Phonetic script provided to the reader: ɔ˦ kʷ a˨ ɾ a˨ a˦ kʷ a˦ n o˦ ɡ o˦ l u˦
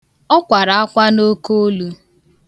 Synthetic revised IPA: ɔ˦ kʷ a˨ ɾ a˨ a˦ kʷ a˦ n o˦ k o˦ l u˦